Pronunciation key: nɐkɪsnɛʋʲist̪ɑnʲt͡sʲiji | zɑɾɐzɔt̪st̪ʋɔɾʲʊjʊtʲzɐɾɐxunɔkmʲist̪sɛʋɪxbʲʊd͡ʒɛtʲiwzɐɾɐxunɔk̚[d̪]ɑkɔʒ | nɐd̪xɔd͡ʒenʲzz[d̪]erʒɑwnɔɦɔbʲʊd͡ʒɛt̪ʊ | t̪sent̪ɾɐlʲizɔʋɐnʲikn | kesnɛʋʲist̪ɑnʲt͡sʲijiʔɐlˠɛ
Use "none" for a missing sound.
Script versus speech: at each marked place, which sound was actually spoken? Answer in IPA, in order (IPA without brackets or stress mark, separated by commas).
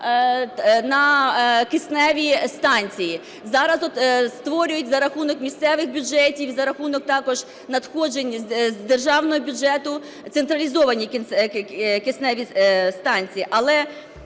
t̪, d̪